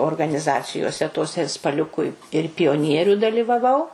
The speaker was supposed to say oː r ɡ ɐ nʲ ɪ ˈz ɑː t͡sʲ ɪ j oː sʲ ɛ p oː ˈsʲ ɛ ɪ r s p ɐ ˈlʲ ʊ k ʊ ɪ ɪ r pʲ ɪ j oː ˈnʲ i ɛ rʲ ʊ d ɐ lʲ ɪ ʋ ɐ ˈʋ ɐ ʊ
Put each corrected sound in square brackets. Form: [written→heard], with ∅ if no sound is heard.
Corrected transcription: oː r ɡ ɐ nʲ ɪ ˈz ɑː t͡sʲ ɪ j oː sʲ ɛ [p→t] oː ˈsʲ ɛ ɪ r s p ɐ ˈlʲ ʊ k ʊ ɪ ɪ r pʲ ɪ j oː ˈnʲ i ɛ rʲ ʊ d ɐ lʲ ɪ ʋ ɐ ˈʋ ɐ ʊ